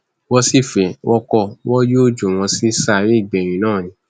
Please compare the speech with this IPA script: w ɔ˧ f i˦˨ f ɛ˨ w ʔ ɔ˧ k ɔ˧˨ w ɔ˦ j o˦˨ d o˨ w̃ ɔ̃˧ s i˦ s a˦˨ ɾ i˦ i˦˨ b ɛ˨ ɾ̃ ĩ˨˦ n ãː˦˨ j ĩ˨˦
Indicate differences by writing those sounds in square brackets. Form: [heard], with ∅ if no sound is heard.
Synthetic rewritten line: w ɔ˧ [s] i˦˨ f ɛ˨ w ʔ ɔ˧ k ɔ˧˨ w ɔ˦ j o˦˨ [d͡ʒ] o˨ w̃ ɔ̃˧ s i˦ s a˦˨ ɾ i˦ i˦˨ [ɡ͡b] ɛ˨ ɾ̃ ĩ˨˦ n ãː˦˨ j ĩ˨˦